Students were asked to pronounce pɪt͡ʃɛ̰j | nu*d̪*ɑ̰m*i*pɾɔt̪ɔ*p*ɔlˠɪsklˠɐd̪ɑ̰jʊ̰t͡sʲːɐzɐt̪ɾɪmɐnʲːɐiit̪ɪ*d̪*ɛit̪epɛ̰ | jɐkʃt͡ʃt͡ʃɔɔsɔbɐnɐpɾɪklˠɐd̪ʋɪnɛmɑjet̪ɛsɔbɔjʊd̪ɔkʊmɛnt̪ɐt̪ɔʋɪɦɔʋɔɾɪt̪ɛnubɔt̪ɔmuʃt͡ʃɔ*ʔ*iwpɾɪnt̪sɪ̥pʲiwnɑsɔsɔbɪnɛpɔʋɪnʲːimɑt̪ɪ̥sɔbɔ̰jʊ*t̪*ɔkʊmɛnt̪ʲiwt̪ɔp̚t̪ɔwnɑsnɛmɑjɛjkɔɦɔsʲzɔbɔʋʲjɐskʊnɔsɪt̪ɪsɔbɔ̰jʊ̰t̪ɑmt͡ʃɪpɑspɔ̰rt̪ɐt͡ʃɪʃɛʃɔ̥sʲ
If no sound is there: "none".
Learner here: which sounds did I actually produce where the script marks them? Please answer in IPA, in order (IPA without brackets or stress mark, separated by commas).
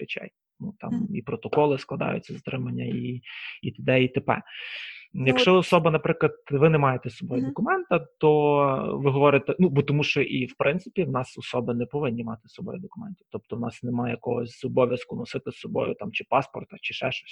t̪, i, k, d̪, ʔ, d̪